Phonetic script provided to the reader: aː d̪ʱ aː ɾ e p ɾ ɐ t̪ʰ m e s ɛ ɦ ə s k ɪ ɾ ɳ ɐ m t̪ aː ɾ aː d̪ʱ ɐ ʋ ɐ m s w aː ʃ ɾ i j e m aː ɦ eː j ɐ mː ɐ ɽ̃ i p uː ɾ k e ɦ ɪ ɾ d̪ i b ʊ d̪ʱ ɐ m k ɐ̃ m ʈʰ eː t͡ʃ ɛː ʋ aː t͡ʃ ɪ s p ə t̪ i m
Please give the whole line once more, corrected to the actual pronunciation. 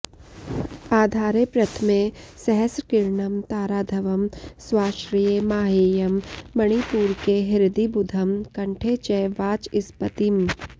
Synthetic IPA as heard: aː d̪ʱ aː ɾ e p ɾ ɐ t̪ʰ m e s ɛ ɦ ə s k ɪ ɾ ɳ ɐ m t̪ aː ɾ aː d̪ʱ ɐ ʋ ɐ m s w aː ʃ ɾ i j e m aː ɦ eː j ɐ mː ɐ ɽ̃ i p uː ɾ k e ɦ ɪ ɾ d̪ i b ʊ d̪ʱ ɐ m k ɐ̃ ɳ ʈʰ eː t͡ʃ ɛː ʋ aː t͡ʃ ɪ s p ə t̪ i m